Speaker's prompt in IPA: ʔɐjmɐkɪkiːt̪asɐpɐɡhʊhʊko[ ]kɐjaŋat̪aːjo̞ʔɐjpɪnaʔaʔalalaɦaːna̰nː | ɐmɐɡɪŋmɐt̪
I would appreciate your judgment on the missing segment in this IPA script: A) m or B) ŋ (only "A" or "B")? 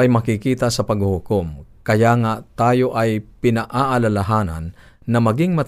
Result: A